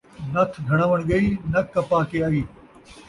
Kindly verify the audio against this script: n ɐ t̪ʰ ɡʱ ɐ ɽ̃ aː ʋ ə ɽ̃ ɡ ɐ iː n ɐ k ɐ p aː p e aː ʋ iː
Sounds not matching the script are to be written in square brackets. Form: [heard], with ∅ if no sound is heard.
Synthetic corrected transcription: n ɐ t̪ʰ ɡʱ ɐ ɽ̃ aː ʋ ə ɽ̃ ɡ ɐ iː n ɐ k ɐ p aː [k] e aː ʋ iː